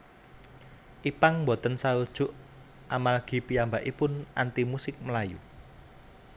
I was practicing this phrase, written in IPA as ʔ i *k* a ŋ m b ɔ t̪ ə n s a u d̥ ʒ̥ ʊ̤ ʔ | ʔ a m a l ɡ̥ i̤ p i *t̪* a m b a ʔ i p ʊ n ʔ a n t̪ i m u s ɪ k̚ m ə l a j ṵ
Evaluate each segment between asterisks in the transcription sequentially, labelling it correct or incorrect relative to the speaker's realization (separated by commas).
incorrect, incorrect